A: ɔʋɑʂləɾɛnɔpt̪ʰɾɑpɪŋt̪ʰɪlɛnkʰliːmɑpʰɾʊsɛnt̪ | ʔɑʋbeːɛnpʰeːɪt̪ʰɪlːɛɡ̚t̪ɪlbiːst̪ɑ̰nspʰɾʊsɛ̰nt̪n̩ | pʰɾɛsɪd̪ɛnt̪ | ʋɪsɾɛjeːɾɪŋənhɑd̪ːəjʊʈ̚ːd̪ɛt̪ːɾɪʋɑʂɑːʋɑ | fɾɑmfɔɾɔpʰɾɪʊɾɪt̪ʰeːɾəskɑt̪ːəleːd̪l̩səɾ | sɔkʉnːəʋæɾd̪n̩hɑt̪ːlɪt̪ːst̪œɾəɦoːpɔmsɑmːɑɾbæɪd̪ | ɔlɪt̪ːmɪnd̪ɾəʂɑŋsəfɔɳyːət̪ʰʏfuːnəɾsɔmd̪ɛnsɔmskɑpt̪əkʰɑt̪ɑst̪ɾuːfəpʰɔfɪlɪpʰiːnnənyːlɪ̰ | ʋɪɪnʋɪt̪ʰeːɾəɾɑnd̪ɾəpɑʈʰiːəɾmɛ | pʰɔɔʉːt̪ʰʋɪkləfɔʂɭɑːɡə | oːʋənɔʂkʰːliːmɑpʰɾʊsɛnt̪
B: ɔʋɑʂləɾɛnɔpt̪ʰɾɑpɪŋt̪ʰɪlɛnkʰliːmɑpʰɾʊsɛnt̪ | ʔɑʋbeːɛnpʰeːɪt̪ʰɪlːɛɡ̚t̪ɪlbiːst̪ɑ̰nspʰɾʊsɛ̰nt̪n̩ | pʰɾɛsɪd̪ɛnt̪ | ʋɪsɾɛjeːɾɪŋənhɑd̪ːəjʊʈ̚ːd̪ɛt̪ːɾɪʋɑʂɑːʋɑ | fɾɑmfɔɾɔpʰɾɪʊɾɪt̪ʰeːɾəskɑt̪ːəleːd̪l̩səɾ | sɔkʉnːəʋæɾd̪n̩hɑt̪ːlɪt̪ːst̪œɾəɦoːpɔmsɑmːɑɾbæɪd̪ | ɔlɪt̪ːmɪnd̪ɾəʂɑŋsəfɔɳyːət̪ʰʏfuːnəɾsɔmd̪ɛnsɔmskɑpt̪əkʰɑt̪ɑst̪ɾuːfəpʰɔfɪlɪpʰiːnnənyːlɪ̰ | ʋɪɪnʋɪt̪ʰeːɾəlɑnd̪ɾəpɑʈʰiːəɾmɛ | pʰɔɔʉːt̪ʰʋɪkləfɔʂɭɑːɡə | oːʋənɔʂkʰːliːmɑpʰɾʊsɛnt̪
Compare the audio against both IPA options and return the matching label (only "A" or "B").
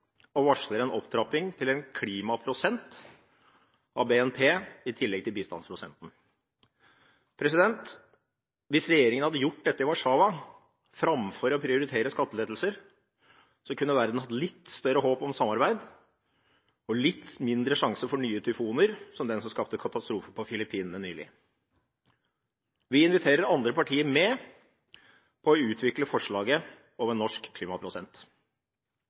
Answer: A